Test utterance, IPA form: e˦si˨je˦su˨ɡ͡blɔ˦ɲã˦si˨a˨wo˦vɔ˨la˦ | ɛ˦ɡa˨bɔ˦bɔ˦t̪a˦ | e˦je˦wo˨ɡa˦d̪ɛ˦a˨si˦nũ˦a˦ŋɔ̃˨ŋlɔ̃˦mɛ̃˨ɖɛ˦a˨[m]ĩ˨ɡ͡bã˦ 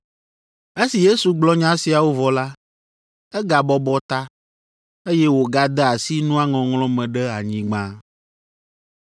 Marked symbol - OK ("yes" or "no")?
no